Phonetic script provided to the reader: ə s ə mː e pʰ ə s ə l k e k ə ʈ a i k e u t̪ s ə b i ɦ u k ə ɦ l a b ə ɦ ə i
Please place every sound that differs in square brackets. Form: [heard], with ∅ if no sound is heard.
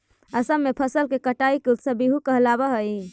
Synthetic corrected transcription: ə s ə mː e pʰ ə s ə l k e k ə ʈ a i k e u t̪ s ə b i ɦ u k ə ɦ l a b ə ɦ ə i